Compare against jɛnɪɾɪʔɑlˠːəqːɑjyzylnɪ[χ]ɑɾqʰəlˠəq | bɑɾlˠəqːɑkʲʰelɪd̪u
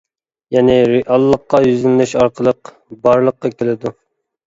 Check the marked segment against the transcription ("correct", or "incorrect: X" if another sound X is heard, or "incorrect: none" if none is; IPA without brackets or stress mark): incorrect: ʃ